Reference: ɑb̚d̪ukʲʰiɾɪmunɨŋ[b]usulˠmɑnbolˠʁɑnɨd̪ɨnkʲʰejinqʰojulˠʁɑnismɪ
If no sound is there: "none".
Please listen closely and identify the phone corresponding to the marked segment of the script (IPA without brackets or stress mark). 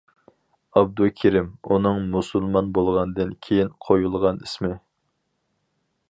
m